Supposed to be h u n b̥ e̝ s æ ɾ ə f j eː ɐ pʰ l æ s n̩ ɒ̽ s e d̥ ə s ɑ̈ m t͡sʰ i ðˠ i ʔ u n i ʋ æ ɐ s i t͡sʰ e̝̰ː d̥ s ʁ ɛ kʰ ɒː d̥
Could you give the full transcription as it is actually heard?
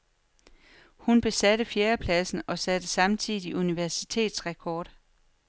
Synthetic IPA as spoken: h u n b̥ e̝ s æ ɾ ə f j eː ɐ pʰ l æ s n̩ ɒ̽ s æ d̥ ə s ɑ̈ m t͡sʰ i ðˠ i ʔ u n i ʋ æ ɐ s i t͡sʰ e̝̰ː d̥ s ʁ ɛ kʰ ɒː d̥

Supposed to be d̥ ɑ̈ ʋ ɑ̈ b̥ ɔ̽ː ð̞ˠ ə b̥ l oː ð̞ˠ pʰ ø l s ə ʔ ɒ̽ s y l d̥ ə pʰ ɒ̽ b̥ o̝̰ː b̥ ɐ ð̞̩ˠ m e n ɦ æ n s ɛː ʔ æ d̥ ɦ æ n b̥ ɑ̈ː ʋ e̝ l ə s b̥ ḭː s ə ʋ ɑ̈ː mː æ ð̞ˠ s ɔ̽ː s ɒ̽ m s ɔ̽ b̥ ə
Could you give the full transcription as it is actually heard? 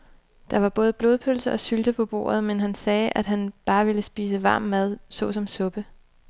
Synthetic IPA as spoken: d̥ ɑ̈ ʋ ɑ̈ b̥ ɔ̽ː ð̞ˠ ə b̥ l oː ð̞ˠ pʰ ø l s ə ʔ ɒ̽ s y l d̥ ə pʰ ɒ̽ b̥ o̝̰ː ɐ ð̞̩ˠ m e n ɦ æ n s ɛː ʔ æ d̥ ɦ æ n b̥ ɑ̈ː ʋ e̝ l ə s b̥ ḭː s ə ʋ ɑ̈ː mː æ ð̞ˠ s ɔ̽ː s ɒ̽ m s ɔ̽ b̥ ə

